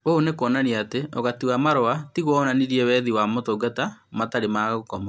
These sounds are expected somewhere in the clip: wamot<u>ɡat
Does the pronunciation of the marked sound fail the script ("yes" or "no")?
yes